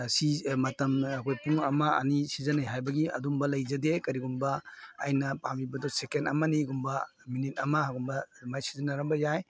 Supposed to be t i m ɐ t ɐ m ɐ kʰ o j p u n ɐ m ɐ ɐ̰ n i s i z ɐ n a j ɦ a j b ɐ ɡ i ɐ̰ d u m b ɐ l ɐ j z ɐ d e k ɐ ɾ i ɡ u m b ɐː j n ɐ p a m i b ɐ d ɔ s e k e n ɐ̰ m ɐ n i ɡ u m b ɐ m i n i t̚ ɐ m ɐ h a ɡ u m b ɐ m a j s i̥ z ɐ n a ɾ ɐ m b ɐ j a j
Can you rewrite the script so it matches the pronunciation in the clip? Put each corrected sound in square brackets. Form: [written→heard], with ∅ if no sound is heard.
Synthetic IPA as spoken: [t→s] i m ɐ t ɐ m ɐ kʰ o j p u [n→ŋ] ɐ m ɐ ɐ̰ n i s i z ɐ n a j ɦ a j b ɐ ɡ i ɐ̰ d u m b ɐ l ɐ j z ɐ d e k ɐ ɾ i ɡ u m b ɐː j n ɐ p a m i b ɐ d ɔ s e k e n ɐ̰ m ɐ n i ɡ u m b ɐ m i n i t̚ ɐ m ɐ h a ɡ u m b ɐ m a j s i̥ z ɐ n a ɾ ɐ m b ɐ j a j

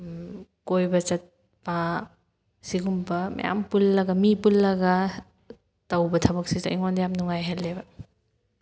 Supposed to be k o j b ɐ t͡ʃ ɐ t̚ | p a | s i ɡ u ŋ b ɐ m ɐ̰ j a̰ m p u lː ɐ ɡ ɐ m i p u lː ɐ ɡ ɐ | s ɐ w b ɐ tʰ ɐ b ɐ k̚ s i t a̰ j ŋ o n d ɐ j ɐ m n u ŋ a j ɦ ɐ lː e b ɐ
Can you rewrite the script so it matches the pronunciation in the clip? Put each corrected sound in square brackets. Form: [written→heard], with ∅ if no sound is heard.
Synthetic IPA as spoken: k o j b ɐ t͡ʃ ɐ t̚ | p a | s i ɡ u [ŋ→m] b ɐ m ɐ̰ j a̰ m p u lː ɐ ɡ ɐ m i p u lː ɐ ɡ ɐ | [s→t] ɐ w b ɐ tʰ ɐ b ɐ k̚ s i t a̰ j ŋ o n d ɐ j [ɐ→a] m n u ŋ a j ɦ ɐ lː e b ɐ

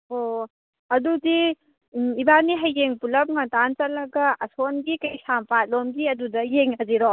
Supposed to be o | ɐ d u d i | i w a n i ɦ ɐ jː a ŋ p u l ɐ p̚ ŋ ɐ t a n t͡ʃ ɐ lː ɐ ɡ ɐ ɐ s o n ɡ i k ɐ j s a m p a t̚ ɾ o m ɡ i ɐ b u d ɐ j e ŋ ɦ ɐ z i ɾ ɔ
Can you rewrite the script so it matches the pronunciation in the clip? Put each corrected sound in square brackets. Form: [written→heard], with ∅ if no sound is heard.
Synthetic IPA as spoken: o | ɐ d u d i | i [w→b] a n i ɦ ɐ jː [a→e] ŋ p u l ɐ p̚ ŋ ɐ t a n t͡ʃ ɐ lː ɐ ɡ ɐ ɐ s o n ɡ i k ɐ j s a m p a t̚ [ɾ→l] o m ɡ i ɐ [b→d] u d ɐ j e ŋ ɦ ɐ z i ɾ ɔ

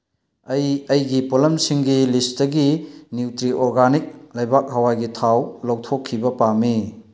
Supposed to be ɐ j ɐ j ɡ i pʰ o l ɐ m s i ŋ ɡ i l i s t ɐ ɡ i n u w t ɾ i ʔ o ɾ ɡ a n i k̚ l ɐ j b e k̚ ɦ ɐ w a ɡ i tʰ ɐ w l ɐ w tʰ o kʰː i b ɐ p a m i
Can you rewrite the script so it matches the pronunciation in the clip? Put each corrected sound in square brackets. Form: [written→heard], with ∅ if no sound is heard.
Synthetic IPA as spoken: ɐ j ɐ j ɡ i [pʰ→p] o l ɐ m s i ŋ ɡ i l i s t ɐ ɡ i n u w t ɾ i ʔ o ɾ ɡ a n i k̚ l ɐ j b [e→a] k̚ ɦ ɐ w a ɡ i tʰ [ɐ→a] w l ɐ w tʰ o kʰː i b ɐ p a m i

